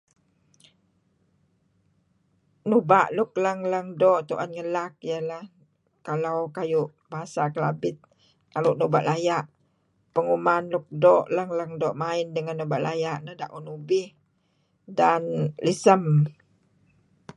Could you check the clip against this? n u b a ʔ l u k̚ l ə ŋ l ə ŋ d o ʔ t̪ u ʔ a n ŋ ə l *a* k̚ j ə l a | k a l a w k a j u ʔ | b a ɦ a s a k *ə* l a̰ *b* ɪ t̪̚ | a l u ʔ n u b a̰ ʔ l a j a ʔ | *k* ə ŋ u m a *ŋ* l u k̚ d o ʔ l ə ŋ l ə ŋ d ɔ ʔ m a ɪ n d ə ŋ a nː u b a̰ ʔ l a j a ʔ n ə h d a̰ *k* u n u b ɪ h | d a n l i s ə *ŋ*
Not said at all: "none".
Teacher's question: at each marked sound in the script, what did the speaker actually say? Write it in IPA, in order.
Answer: a, ə, b, p, n, ʔ, m

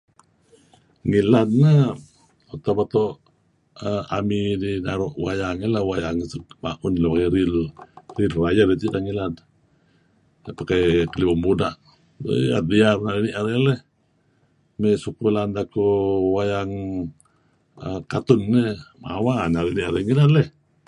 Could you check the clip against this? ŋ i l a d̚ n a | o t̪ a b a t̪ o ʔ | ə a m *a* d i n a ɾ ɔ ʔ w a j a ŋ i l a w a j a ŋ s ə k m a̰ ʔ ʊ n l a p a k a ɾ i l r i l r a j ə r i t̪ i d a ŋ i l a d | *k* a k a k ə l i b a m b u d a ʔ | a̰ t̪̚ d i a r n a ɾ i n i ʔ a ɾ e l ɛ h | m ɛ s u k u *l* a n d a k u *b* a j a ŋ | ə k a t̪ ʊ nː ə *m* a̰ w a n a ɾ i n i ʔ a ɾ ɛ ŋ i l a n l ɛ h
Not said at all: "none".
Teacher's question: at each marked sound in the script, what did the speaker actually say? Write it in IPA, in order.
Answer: i, p, l, w, m

